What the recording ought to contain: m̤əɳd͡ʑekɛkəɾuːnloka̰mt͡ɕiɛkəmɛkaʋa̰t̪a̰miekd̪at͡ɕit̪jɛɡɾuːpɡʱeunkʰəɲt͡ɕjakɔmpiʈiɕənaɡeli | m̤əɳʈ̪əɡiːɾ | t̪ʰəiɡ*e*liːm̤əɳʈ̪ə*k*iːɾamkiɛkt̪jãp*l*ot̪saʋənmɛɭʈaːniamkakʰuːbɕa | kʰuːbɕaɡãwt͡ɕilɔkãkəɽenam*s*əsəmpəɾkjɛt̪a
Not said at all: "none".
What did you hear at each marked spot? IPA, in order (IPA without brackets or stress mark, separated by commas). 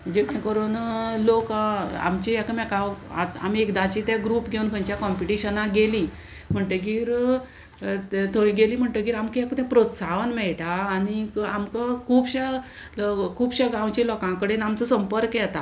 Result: e, ɡ, ɾ, t͡s